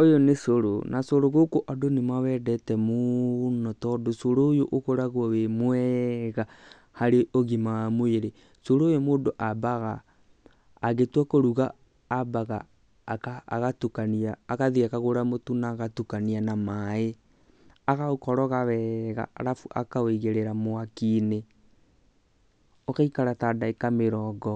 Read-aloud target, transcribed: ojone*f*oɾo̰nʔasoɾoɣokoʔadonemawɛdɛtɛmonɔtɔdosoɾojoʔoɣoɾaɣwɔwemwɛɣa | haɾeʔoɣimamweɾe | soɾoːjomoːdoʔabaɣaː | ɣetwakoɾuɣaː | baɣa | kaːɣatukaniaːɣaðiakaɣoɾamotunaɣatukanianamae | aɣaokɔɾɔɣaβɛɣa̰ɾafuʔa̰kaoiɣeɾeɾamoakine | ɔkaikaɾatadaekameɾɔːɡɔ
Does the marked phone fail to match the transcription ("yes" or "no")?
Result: yes